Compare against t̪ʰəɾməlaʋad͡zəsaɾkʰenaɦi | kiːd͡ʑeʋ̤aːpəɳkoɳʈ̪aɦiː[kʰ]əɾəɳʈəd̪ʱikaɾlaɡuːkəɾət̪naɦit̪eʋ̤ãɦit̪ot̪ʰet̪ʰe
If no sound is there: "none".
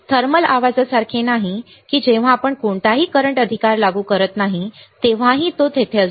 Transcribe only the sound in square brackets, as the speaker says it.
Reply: k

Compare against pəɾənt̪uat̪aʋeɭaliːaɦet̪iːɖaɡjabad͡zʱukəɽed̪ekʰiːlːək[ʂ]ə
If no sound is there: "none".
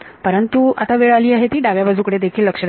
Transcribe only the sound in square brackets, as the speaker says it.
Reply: ʂ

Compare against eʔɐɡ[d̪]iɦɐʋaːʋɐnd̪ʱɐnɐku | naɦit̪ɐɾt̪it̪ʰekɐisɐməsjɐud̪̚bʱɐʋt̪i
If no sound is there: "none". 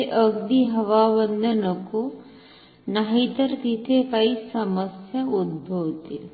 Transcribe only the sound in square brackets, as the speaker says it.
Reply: d̪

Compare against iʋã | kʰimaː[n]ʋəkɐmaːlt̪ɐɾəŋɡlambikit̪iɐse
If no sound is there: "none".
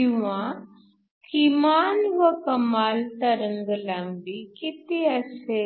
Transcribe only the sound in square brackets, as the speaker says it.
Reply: n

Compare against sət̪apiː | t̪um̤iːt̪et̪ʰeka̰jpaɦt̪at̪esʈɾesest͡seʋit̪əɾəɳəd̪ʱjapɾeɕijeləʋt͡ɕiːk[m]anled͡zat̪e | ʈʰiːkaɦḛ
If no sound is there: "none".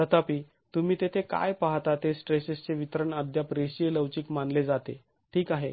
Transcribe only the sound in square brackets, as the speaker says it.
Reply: m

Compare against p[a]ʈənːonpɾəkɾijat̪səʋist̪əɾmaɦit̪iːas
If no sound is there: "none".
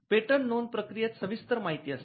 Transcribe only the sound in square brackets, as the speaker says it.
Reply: e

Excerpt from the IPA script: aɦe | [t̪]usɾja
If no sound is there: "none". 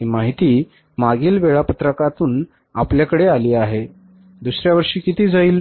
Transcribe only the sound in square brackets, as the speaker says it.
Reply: d̪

